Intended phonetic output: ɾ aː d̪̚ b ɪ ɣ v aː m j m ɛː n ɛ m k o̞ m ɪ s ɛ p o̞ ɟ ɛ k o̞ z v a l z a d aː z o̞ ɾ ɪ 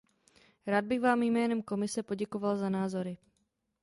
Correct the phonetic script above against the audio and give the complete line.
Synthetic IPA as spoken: ɾ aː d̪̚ b ɪ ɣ v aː m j m ɛː n ɛ m k o̞ m ɪ s ɛ p o̞ ɟ ɛ k o̞ v a l z a n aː z o̞ ɾ ɪ